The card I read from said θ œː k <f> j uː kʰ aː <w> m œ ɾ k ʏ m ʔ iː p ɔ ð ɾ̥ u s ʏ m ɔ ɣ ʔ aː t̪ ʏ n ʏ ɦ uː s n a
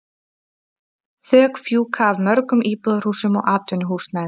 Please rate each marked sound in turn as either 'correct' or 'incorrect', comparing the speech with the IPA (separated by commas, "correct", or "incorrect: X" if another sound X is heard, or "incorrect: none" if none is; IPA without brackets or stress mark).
correct, incorrect: v